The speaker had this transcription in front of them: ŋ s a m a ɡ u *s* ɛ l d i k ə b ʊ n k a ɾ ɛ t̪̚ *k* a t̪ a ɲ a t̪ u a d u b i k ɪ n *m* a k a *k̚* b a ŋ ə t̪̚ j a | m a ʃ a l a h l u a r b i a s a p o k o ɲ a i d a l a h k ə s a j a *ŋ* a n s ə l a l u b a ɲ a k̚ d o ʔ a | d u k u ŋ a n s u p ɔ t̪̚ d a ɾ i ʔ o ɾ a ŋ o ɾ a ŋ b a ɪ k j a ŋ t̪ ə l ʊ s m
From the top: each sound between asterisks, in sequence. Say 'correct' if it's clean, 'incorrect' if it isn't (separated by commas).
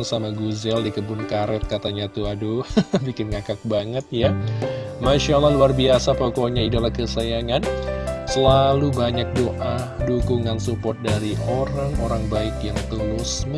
incorrect, correct, incorrect, correct, correct